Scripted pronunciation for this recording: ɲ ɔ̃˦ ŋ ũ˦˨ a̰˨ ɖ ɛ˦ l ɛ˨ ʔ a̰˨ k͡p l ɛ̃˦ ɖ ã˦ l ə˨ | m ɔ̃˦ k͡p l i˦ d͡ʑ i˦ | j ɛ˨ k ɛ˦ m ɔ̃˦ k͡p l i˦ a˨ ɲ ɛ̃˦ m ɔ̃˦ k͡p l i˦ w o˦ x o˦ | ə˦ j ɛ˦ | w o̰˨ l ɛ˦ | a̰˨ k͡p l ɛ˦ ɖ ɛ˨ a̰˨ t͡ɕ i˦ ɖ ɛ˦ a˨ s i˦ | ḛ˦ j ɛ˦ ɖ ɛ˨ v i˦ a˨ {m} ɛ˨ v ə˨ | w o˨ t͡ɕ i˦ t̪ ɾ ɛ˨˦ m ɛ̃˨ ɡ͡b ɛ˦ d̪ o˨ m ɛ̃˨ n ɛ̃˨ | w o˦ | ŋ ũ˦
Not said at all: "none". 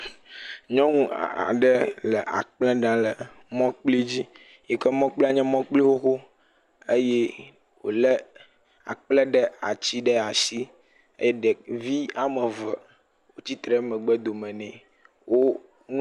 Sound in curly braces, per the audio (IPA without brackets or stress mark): m